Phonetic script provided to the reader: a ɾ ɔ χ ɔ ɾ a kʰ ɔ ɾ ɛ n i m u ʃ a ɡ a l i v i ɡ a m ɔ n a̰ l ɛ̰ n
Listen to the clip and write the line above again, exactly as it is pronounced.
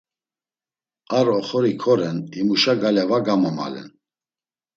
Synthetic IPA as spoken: a ɾ ɔ χ ɔ ɾ i kʰ ɔ ɾ ɛ n i m u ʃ a ɡ a l ɛ v a ɡ a m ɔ m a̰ l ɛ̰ n